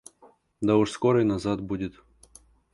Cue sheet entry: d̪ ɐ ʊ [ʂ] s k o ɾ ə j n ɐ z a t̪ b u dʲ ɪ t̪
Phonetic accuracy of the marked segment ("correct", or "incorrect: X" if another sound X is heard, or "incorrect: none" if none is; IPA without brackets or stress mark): correct